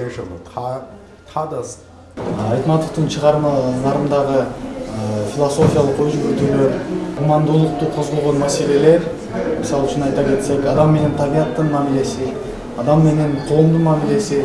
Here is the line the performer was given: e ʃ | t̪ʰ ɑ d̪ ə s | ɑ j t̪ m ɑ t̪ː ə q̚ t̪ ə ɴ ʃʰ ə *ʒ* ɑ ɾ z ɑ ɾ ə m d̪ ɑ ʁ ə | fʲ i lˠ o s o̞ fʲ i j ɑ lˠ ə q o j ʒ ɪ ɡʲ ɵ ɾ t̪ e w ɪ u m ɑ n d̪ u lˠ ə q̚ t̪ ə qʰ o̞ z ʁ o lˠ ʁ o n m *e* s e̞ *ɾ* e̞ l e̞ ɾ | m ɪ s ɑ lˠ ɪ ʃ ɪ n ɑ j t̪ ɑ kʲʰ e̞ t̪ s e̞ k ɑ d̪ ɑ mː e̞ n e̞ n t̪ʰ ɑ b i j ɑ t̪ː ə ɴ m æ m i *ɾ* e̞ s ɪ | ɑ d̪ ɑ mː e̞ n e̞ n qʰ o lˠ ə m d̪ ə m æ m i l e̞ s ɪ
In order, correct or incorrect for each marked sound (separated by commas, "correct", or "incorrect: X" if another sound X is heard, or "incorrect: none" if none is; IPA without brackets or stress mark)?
incorrect: ʁ, incorrect: æ, incorrect: l, incorrect: l